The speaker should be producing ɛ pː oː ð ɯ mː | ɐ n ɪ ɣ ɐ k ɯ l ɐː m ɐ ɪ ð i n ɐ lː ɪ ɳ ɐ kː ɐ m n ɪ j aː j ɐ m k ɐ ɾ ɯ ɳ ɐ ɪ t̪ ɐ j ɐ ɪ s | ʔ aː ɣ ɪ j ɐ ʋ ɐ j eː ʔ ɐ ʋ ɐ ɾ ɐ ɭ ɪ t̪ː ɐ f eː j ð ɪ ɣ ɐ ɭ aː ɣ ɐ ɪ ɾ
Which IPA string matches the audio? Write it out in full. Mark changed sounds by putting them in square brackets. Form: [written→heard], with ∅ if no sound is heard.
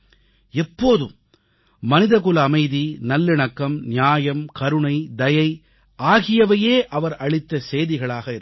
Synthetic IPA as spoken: ɛ pː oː ð ɯ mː | ɐ n ɪ [ɣ→ð] ɐ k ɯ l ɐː m ɐ ɪ ð i n ɐ lː ɪ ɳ ɐ kː ɐ m n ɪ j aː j ɐ m k ɐ ɾ ɯ ɳ ɐ ɪ [t̪→d̪] ɐ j ɐ ɪ [s→∅] | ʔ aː ɣ ɪ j ɐ ʋ ɐ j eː ʔ ɐ ʋ ɐ ɾ ɐ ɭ ɪ t̪ː ɐ [f→s] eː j ð ɪ ɣ ɐ ɭ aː ɣ ɐ ɪ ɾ

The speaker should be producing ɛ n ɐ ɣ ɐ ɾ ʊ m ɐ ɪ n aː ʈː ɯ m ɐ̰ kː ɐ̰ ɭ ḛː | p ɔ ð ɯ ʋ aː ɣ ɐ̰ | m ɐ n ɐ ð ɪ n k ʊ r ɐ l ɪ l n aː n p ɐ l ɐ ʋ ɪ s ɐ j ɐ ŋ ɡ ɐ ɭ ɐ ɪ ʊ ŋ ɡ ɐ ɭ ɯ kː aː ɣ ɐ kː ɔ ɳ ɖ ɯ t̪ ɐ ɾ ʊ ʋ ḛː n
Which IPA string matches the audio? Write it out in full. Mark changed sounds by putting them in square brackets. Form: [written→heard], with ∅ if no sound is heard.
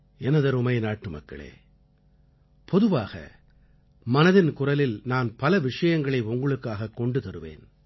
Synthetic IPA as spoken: ɛ n ɐ [ɣ→ð] ɐ ɾ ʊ m ɐ ɪ n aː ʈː ɯ m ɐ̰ kː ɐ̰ ɭ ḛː | p ɔ ð ɯ ʋ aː ɣ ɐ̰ | m ɐ n ɐ ð ɪ n k ʊ r ɐ l ɪ l n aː n p ɐ l ɐ ʋ ɪ [s→ʂ] ɐ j ɐ ŋ ɡ ɐ ɭ ɐ ɪ ʊ ŋ ɡ ɐ ɭ ɯ kː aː ɣ ɐ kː ɔ ɳ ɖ ɯ t̪ ɐ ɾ [ʊ→ɯ] ʋ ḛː n

